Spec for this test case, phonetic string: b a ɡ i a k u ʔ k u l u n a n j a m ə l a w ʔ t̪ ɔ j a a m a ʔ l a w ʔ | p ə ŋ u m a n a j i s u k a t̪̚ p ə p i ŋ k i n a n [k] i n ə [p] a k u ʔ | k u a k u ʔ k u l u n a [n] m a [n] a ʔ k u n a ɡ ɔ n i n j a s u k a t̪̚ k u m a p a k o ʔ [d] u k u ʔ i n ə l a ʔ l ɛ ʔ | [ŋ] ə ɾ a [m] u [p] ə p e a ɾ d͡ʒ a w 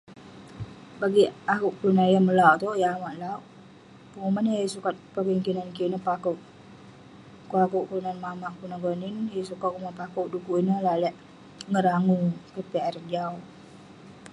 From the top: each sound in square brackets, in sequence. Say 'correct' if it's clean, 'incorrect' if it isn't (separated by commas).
correct, correct, correct, incorrect, correct, correct, incorrect, incorrect